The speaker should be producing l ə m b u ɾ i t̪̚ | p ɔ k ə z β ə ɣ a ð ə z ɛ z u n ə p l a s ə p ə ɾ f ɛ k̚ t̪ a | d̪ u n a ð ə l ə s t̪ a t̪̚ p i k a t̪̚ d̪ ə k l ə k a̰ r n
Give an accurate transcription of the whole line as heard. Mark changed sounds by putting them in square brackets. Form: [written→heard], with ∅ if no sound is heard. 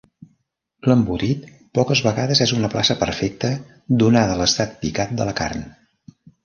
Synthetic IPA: l ə m b u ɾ i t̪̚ | p ɔ k ə z β ə ɣ a ð ə z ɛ z u n ə p l a s ə p ə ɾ f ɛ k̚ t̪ [a→ə] | d̪ u n a ð ə l ə s t̪ a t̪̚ p i k a t̪̚ d̪ ə [k→∅] l ə k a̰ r n